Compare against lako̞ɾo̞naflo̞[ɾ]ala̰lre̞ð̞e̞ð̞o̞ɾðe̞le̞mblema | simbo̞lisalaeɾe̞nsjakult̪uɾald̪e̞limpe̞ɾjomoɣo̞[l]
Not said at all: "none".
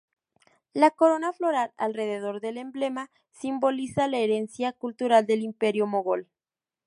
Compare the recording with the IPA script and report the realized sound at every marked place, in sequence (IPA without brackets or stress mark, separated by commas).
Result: ɾ, l